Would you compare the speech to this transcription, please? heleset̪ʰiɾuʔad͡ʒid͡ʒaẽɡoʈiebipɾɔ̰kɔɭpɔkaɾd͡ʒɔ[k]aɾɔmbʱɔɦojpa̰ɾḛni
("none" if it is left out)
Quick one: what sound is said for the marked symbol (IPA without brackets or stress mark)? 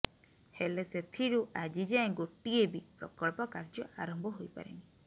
none